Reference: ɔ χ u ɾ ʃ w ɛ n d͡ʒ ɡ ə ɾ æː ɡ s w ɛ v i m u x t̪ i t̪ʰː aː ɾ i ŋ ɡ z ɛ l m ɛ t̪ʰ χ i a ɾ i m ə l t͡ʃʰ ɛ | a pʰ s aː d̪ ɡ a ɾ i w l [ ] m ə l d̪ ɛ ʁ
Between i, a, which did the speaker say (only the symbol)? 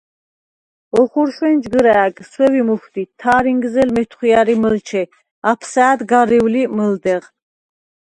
i